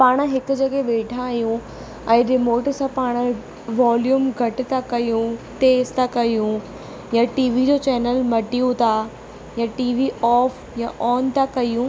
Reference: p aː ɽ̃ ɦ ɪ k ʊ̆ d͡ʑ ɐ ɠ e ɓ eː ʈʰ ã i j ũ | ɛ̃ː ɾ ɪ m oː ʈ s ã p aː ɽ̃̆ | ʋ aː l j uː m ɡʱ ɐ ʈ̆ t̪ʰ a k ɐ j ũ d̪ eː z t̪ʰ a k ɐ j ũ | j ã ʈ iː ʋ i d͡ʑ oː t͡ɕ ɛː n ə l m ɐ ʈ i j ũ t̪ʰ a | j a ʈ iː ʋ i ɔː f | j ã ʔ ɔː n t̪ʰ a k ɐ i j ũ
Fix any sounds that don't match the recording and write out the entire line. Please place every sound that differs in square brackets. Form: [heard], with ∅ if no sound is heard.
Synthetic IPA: p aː ɽ̃ ɦ ɪ k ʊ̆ d͡ʑ ɐ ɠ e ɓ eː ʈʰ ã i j ũ | ɛ̃ː ɾ ɪ m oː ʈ s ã p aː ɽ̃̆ | ʋ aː l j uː m ɡʱ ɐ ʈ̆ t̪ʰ a k ɐ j ũ [t̪] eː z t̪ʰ a k ɐ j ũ | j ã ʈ iː ʋ i d͡ʑ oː t͡ɕ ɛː n ə l m ɐ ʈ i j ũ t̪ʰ a | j a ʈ iː ʋ i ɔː f | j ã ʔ ɔː n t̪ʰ a k ɐ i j ũ